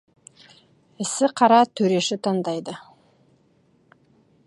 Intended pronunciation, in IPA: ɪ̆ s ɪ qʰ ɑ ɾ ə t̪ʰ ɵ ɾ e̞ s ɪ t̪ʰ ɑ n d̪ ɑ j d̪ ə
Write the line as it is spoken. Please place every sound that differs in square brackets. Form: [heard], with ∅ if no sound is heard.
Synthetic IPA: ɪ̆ s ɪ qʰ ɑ ɾ [ɑ] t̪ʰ ɵ ɾ e̞ [ʃ] ɪ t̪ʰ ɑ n d̪ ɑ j d̪ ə